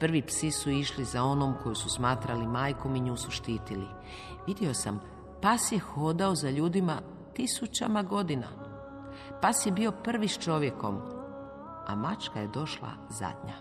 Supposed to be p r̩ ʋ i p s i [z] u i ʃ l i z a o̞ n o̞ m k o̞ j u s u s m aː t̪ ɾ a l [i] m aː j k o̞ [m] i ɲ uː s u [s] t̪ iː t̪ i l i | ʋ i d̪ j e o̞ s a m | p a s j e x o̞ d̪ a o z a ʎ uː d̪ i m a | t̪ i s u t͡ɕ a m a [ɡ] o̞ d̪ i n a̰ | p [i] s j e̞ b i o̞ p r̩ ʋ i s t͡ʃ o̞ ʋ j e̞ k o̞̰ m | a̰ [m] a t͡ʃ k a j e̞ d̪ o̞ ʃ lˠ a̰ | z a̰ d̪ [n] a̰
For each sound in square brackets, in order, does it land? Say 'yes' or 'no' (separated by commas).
no, yes, yes, no, yes, no, yes, no